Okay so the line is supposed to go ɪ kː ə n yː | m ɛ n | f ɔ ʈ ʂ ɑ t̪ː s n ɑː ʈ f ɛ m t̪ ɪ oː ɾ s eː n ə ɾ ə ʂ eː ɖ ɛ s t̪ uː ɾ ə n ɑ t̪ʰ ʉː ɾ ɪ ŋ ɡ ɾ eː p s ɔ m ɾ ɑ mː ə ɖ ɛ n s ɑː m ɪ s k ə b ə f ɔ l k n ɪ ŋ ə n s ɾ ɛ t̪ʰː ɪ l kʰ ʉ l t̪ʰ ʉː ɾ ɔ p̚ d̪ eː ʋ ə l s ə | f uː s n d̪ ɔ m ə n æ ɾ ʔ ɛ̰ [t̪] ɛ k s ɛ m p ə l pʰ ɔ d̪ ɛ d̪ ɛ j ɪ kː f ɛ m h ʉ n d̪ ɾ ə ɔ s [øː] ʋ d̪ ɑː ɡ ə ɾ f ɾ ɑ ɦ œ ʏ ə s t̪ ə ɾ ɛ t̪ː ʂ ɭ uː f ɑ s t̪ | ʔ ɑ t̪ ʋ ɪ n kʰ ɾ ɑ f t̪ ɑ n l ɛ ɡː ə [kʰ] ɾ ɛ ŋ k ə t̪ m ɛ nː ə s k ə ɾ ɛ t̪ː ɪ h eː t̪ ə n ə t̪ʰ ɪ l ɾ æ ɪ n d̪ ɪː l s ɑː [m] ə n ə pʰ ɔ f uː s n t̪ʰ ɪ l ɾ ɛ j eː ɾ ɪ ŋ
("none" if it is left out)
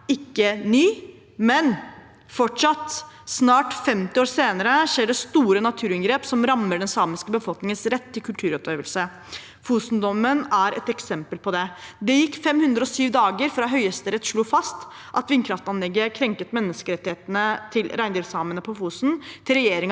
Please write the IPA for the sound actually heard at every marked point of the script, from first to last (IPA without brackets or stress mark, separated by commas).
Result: t̪, yː, kʰ, m